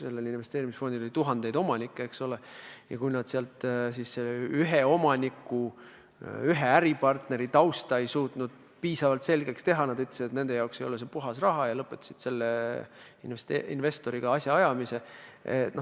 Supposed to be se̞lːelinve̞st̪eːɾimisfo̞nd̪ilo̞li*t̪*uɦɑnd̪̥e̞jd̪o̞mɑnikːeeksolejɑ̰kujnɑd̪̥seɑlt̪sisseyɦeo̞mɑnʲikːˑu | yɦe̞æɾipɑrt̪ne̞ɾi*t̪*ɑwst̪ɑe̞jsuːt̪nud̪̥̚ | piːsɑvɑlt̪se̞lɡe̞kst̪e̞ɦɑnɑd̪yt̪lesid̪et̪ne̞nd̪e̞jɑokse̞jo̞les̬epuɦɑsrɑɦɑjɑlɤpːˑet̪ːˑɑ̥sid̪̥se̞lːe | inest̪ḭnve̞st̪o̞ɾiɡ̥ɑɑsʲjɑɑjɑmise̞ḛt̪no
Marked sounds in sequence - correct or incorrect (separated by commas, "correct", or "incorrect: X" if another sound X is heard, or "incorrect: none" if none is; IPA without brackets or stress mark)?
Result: correct, correct